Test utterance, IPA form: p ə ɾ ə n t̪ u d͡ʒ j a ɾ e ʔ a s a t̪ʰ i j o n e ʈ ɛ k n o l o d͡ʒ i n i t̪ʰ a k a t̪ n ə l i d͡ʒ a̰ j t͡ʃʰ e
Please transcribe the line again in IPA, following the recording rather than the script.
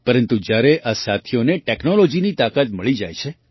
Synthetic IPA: p ə ɾ ə n t̪ u d͡ʒ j a ɾ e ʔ a s a t̪ʰ i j o n e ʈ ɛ k n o l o d͡ʒ i n i t̪ a k a t̪ m ə ɭ i d͡ʒ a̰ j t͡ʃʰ e